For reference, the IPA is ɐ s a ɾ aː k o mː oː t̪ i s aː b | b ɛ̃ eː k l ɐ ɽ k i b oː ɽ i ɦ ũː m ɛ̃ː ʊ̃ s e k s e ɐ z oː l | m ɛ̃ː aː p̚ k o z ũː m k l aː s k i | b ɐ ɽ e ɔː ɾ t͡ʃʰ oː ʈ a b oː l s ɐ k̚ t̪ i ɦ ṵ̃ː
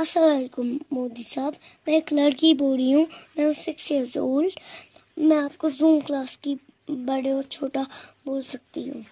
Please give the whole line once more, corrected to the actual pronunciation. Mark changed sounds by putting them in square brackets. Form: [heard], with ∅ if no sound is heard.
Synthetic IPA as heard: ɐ s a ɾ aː k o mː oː [d̪] i s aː b | [m] ɛ̃ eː k l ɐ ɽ k i b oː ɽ i ɦ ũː m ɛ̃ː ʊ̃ s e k s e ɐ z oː l | m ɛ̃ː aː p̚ k o z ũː m k l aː s k i | b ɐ ɽ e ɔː ɾ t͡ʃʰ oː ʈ a b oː l s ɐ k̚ t̪ i ɦ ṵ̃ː